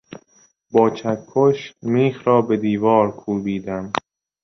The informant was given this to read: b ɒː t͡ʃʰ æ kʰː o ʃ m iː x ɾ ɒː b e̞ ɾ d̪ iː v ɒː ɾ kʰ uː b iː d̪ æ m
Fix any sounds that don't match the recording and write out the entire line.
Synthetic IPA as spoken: b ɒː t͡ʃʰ æ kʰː o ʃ m iː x ɾ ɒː b e̞ d̪ iː v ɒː ɾ kʰ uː b iː d̪ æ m

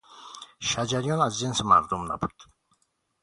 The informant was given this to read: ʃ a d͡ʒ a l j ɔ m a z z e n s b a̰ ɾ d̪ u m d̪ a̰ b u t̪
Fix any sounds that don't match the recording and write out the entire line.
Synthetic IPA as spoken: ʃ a d͡ʒ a ɾ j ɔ n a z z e n s m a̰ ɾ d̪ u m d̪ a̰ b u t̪

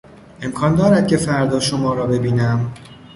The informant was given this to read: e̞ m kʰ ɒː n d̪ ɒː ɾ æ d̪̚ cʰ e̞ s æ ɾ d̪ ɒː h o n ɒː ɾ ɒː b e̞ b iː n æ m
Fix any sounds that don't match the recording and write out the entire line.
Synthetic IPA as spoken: e̞ m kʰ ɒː n d̪ ɒː ɾ æ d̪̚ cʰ e̞ f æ ɾ d̪ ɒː ʃ o m ɒː ɾ ɒː b e̞ b iː n æ m

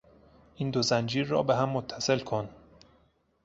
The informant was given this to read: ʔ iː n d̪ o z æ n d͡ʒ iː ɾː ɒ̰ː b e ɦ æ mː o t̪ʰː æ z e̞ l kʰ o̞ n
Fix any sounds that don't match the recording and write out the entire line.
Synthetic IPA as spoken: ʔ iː n d̪ o z æ n d͡ʒ iː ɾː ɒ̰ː b e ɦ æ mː o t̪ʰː æ s e̞ l kʰ o̞ n

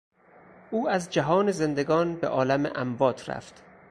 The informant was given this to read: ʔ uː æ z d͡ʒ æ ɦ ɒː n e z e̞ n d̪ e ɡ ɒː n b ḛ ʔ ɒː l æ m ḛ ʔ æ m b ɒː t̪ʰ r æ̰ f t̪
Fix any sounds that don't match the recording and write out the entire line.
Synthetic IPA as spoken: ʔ uː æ z d͡ʒ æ ɦ ɒː n e z e̞ n d̪ e ɡ ɒː n b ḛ ʔ ɒː l æ m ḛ ʔ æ m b ɒː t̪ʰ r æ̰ f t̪

